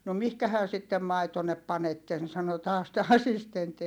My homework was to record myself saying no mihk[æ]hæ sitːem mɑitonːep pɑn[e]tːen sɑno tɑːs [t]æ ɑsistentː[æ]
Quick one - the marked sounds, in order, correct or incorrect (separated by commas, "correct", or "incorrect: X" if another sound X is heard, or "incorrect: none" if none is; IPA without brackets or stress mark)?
correct, correct, correct, incorrect: i